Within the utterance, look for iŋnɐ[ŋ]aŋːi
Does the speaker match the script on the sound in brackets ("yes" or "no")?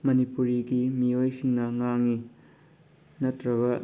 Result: yes